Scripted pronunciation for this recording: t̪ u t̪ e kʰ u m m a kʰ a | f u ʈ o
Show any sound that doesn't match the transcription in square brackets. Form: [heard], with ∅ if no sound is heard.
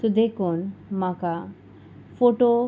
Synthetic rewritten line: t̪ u [d̪] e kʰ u [n] m a [k] a | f [o] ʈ o